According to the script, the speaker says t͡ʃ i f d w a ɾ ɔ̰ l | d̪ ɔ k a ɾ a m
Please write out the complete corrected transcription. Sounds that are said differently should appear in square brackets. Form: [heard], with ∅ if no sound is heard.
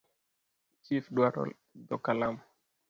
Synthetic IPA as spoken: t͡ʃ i f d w a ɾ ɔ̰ l | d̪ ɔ k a [l] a m